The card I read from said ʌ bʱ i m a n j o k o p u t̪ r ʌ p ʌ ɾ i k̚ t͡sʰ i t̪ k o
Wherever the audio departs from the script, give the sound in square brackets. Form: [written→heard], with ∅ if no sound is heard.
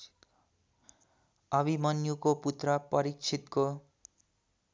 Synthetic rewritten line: ʌ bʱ i m [a→ʌ] n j [o→u] k o p u t̪ r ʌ p ʌ ɾ i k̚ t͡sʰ i t̪ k o

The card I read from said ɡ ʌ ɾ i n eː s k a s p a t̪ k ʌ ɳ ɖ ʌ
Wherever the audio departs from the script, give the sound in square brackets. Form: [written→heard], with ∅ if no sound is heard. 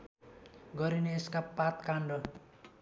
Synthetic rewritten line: ɡ ʌ ɾ i n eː s k a [s→∅] p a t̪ k [ʌ→a] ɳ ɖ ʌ

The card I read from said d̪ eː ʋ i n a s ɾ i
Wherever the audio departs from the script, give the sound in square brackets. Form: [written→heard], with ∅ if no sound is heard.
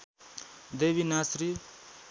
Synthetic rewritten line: d̪ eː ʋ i n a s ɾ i

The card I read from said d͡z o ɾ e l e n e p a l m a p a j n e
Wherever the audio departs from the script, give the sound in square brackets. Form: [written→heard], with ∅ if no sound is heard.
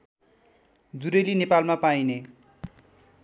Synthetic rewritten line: d͡z [o→u] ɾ e l [e→i] n e p a l m a p a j n e

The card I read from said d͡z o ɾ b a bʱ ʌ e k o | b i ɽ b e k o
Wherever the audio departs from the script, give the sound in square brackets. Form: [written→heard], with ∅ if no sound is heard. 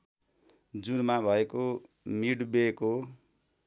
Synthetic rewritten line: d͡z [o→u] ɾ [b→m] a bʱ ʌ e k o | [b→m] i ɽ b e k o

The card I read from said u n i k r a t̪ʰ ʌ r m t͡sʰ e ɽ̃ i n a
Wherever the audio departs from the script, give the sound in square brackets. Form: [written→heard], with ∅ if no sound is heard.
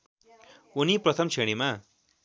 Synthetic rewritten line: u n i [k→p] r [a→ʌ] t̪ʰ ʌ [r→∅] m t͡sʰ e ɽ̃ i [n→m] a

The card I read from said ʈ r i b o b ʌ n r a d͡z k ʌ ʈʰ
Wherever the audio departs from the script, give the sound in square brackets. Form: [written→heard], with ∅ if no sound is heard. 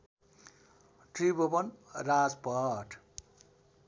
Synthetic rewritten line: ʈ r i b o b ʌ n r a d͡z [k→p] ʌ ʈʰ

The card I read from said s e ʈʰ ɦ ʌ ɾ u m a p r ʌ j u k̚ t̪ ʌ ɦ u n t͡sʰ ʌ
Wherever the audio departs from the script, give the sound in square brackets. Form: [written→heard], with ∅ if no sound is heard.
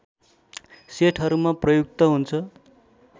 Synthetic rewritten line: s e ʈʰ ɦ ʌ ɾ u m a p r ʌ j u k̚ t̪ ʌ ɦ u n t͡sʰ ʌ

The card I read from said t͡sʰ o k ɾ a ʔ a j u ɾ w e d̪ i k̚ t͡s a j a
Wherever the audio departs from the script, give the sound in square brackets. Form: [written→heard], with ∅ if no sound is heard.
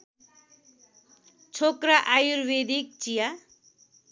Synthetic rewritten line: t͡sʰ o k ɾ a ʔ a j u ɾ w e d̪ i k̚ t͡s [a→i] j a

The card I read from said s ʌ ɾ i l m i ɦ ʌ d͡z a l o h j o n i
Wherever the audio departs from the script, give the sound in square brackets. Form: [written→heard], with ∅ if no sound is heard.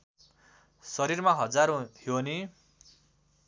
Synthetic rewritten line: s ʌ ɾ i [l→r] m [i→a] ɦ ʌ d͡z a [l→ɾ] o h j o n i

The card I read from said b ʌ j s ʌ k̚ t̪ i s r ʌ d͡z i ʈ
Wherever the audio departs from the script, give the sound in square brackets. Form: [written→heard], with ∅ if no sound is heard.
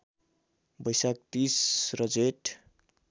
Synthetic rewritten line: b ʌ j s [ʌ→a] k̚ t̪ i s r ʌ d͡z [i→e] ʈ

